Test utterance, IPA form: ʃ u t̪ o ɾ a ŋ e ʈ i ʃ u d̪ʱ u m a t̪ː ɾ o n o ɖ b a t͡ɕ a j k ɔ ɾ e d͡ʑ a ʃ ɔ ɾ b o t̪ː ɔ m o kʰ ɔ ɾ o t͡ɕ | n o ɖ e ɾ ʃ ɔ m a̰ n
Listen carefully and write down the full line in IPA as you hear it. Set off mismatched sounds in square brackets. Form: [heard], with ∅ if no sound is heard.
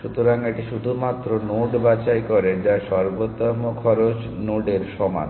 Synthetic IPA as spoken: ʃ u t̪ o ɾ a ŋ e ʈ i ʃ u d̪ʱ u m a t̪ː ɾ o n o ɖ b a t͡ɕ a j k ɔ ɾ e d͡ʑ a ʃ ɔ ɾ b o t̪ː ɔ m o kʰ ɔ ɾ o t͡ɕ | n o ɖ e ɾ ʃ ɔ m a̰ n